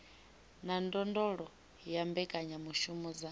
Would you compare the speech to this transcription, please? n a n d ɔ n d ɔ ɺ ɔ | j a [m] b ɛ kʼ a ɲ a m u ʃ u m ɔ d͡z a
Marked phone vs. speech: correct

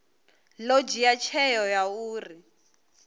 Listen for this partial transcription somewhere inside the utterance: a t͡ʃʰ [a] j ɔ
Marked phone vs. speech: incorrect: ɛ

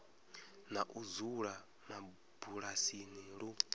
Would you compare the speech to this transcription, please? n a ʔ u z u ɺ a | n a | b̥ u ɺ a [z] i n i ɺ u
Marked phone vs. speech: incorrect: s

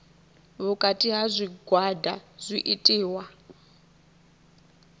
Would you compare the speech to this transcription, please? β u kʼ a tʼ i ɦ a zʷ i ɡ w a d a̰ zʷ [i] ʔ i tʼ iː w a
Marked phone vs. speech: correct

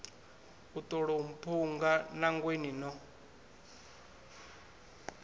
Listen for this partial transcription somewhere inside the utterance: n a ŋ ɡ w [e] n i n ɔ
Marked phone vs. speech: correct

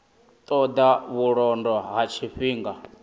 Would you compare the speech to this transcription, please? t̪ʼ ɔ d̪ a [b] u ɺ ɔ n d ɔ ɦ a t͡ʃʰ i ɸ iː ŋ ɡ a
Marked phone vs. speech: incorrect: β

